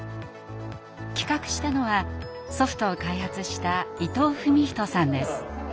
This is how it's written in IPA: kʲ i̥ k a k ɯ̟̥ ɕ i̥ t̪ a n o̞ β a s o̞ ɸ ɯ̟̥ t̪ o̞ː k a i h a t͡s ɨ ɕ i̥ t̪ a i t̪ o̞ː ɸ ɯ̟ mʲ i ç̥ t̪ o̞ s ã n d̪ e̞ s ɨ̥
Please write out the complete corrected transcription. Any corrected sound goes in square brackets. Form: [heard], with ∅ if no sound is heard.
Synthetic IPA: kʲ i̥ k a k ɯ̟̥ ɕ i̥ t̪ a n o̞ β a s o̞ ɸ ɯ̟̥ t̪ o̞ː k a i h a t͡s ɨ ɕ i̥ t̪ a i t̪ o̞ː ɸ ɯ̟ mʲ i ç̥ t̪ o̞ s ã n d̪ e̞ s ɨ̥